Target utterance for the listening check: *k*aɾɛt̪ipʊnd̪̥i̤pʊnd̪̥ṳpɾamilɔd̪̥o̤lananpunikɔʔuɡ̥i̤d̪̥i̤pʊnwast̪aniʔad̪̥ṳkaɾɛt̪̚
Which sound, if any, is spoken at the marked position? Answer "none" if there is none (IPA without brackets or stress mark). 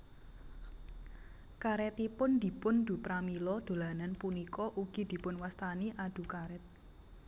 k